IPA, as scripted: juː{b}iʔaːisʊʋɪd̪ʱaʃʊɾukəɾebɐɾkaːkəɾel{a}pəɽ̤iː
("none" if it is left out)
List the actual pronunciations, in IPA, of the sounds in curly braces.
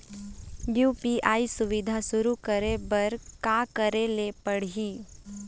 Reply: p, e

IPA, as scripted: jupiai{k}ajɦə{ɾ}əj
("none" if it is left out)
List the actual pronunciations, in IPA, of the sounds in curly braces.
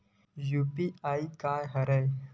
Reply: k, ɾ

